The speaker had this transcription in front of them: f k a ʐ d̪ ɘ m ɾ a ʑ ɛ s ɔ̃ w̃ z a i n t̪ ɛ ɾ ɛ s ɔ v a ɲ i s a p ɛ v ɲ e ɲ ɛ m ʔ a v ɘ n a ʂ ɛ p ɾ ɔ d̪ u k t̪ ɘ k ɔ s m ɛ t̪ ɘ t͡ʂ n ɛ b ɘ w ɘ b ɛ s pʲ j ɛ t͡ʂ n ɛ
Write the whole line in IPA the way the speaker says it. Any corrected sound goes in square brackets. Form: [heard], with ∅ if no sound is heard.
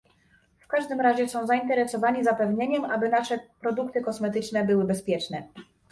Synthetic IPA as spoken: f k a ʐ d̪ ɘ m ɾ a ʑ ɛ s ɔ̃ w̃ z a i n t̪ ɛ ɾ ɛ s ɔ v a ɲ i [z] a p ɛ v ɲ e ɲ ɛ m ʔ a [b] ɘ n a ʂ ɛ p ɾ ɔ d̪ u k t̪ ɘ k ɔ s m ɛ t̪ ɘ t͡ʂ n ɛ b ɘ w ɘ b ɛ s pʲ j ɛ t͡ʂ n ɛ